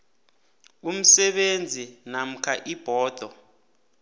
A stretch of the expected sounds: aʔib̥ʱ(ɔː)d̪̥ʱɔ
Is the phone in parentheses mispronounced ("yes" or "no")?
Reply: no